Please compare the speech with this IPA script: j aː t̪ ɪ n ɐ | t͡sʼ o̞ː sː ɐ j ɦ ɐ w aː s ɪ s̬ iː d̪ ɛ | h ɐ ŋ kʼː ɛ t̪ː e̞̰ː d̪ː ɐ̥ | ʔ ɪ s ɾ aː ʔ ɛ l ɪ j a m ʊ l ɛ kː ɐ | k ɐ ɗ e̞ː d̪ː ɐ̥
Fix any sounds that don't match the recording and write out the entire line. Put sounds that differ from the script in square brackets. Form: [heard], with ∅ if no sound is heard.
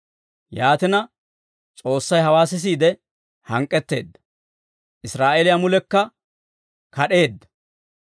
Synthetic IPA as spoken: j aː t̪ ɪ n ɐ | t͡sʼ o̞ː sː ɐ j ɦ ɐ w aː s ɪ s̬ iː d̪ ɛ | h ɐ ŋ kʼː ɛ t̪ː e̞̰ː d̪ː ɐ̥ | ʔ ɪ s ɾ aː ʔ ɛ l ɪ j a m ʊ l ɛ kː ɐ | k ɐ ɗ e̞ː d̪ː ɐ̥